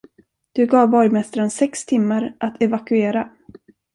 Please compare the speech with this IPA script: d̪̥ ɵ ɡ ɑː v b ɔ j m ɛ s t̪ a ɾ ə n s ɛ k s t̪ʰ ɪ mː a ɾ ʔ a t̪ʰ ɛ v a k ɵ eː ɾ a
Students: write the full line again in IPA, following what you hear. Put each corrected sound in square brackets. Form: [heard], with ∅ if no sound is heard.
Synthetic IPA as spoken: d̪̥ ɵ ɡ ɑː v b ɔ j m ɛ s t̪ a ɾ ə n s ɛ k s t̪ʰ ɪ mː a ɾ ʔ a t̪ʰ ɛ v a k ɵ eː ɾ a